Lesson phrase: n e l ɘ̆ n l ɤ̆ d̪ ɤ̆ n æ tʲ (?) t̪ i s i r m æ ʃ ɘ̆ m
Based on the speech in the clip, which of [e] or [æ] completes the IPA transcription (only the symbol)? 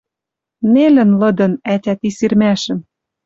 æ